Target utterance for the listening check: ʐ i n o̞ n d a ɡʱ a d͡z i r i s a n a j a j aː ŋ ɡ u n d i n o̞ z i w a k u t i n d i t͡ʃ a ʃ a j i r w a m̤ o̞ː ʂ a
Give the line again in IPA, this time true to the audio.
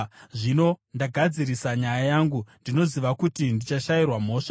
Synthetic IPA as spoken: ʐ i n o̞ n d a ɡʱ a d͡z i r i s a ɲ a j a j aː ŋ ɡ u n d i n o̞ z i ʋ a k u t i n d i t͡ʃ a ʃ a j i r w a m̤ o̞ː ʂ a